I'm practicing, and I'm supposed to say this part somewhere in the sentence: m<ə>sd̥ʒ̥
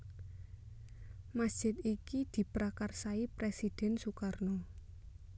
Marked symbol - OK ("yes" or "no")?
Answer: no